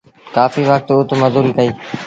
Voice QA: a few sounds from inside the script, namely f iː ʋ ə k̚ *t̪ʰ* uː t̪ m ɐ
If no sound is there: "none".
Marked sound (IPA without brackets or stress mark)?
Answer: t̪